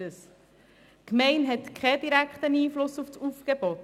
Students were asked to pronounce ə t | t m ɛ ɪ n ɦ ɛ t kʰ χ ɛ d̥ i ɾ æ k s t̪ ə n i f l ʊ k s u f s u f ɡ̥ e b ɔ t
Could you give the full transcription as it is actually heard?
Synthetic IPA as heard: ə s | k m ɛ ɪ n ɦ ɛ t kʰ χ ɛ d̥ i ɾ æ k χ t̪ ə n iː f l ʊ s u f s u f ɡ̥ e b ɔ t